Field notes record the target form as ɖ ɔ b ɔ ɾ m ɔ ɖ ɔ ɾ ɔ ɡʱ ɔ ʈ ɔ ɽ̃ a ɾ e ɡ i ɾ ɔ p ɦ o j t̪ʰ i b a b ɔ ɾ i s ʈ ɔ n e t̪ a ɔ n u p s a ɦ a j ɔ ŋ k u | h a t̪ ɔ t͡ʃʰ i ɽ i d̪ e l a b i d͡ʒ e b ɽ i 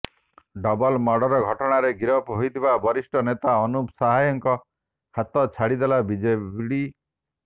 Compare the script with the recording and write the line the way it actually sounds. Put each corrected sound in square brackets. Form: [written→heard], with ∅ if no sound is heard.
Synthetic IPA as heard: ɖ ɔ b ɔ [ɾ→l] m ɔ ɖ ɔ ɾ ɔ ɡʱ ɔ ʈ ɔ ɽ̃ a ɾ e ɡ i ɾ ɔ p ɦ o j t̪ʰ i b a b ɔ ɾ i s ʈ ɔ n e t̪ a ɔ n u p s a ɦ a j ɔ ŋ k [u→ɔ] | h a t̪ ɔ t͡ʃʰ [i→a] ɽ i d̪ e l a b i d͡ʒ e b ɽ i